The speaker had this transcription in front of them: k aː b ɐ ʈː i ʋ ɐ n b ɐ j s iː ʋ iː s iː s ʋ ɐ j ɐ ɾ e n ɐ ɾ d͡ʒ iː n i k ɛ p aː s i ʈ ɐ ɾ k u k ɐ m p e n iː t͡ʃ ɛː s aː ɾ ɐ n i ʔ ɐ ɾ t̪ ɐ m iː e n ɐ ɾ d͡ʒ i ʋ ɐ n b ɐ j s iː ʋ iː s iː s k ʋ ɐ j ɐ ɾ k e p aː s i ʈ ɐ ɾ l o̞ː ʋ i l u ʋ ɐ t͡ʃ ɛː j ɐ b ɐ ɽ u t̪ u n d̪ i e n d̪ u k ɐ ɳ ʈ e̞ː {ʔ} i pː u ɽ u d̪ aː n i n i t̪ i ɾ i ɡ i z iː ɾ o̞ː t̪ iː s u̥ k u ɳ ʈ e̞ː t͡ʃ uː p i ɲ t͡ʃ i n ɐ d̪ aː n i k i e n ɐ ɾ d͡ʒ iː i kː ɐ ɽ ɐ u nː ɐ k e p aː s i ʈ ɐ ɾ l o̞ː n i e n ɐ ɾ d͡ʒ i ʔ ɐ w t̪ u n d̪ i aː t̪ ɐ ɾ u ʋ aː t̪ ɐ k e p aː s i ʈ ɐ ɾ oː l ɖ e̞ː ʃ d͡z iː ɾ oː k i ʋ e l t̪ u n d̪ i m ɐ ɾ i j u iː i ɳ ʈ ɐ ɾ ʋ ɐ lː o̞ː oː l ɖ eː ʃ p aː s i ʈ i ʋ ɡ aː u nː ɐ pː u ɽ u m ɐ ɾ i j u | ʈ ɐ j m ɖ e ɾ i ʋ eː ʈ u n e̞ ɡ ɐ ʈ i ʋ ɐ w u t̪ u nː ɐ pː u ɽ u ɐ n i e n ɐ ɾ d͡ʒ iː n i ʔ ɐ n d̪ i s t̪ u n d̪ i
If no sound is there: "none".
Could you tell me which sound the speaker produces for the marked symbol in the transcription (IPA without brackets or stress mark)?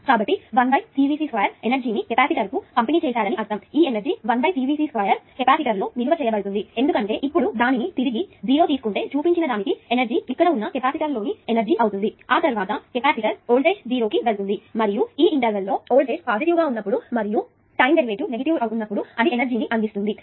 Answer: ʔ